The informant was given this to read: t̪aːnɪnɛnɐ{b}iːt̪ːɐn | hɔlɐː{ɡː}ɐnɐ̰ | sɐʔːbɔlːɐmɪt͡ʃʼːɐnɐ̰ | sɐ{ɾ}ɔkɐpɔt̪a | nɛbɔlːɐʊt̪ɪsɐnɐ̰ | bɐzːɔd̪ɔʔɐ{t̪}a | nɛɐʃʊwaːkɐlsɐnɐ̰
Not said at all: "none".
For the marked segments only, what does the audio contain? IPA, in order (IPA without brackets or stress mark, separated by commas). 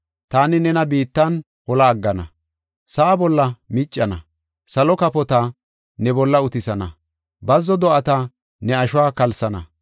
b, ɡː, l, t̪